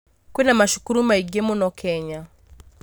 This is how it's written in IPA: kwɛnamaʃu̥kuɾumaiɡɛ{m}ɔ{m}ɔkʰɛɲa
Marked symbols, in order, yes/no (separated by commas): yes, no